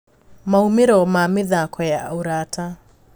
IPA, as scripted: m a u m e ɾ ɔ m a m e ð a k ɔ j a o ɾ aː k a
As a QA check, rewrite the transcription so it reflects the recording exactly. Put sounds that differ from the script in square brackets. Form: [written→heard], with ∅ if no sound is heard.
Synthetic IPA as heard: m a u m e ɾ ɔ m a m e ð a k ɔ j a o ɾ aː [k→t] a